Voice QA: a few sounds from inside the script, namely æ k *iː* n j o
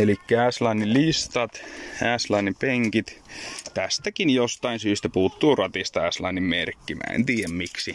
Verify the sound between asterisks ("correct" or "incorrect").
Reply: incorrect